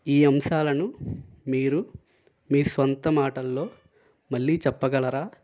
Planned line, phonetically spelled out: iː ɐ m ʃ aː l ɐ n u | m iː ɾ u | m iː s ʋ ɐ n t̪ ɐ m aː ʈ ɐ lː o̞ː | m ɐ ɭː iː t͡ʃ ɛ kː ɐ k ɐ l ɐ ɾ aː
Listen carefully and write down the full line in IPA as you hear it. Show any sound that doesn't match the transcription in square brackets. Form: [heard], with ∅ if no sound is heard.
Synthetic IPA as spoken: iː ɐ m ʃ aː l ɐ n u | m iː ɾ u | m iː s ʋ ɐ n t̪ ɐ m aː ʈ ɐ lː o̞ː | m ɐ ɭː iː t͡ʃ ɛ [pː] ɐ [ɡ] ɐ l ɐ ɾ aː